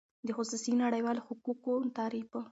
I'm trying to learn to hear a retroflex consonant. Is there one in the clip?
yes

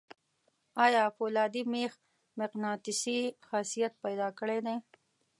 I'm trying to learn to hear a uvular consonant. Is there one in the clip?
yes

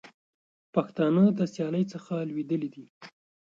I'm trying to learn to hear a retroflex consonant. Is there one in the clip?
no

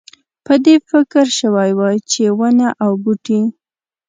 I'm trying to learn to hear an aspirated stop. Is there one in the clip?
no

